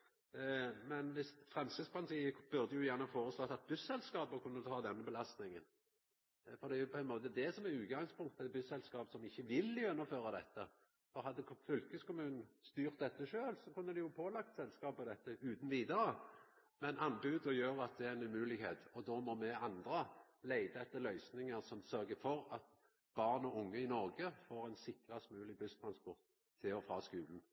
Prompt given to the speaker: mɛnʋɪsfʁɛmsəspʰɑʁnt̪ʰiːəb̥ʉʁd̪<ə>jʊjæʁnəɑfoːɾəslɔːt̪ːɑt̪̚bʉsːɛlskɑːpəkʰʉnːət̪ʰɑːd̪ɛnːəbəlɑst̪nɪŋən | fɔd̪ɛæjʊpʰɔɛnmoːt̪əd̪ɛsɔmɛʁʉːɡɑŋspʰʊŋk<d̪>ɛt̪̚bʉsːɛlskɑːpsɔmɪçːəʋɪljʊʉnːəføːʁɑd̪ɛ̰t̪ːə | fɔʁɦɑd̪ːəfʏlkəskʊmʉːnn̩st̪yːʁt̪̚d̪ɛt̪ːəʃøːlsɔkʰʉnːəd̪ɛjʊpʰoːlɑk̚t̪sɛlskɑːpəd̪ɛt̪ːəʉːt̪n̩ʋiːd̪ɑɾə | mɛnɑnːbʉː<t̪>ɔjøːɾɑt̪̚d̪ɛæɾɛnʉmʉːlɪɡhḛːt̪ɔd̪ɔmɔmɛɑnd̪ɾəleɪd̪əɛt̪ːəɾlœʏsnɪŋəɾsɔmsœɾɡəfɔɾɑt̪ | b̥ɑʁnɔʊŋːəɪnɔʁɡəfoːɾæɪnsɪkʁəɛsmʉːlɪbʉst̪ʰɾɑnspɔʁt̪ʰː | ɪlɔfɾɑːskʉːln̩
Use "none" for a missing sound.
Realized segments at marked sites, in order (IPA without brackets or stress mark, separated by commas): ə, t̪, d̪